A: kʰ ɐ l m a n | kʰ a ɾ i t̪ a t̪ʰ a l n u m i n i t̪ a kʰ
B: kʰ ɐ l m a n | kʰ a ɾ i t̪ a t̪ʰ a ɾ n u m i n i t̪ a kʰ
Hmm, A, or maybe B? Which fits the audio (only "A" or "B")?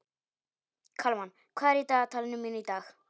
A